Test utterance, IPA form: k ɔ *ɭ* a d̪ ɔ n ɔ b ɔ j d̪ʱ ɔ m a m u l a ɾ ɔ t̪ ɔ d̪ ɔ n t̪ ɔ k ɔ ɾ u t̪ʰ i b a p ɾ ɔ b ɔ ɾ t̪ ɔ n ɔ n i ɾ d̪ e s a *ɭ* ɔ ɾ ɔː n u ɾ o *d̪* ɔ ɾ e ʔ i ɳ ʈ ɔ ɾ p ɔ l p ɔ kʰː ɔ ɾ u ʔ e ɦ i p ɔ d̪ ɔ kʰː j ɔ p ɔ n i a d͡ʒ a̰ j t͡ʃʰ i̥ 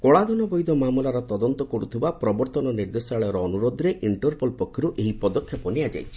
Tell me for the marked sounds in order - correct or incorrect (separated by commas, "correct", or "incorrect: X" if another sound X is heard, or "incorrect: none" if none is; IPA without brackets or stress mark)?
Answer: correct, correct, correct